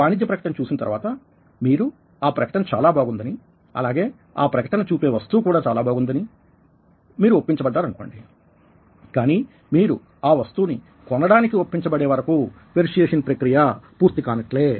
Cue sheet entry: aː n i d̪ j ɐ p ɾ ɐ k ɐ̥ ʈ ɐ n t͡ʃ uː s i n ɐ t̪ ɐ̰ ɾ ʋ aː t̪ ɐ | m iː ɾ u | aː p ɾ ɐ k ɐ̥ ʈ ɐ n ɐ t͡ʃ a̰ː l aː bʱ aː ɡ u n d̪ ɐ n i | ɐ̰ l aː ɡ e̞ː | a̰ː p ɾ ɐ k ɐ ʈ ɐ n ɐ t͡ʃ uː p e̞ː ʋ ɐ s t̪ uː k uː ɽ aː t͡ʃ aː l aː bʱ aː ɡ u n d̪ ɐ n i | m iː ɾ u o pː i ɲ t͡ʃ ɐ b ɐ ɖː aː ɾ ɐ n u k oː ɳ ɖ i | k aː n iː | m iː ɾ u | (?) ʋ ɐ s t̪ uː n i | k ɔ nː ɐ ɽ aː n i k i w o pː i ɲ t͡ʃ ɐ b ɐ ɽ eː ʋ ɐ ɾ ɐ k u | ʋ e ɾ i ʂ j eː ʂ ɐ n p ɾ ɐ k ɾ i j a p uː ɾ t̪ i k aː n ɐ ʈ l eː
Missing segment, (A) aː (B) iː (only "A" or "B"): A